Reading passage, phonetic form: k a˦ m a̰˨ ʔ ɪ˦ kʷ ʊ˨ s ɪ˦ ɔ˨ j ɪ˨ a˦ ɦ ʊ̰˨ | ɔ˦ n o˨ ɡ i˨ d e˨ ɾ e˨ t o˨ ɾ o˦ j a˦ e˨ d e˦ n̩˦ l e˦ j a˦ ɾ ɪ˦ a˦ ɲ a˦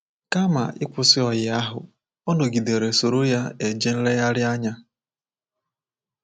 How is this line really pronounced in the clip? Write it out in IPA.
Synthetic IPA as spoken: k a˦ m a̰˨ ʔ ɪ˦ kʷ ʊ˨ s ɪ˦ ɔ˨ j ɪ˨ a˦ ɦ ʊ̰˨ | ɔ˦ n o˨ ɡ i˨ d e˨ ɾ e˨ s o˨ ɾ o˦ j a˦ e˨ d͡ʒ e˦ n̩˦ l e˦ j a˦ ɾ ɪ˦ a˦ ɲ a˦